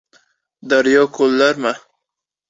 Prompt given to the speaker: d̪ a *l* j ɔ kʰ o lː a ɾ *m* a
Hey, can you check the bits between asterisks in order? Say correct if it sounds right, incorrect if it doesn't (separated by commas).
incorrect, correct